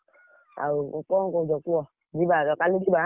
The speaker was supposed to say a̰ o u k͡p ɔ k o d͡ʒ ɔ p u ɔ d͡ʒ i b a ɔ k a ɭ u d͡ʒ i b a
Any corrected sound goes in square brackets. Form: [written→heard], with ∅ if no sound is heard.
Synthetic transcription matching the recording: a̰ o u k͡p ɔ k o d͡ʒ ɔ [p→k] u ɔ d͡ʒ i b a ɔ k a [ɭ→l] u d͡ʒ i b a